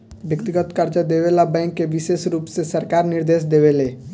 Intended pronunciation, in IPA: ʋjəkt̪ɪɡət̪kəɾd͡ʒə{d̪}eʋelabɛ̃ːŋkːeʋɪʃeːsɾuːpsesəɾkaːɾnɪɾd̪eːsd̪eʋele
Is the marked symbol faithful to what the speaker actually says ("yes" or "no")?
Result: yes